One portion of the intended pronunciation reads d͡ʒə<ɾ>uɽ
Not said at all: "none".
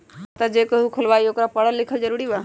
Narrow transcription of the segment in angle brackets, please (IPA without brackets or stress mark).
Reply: ɾ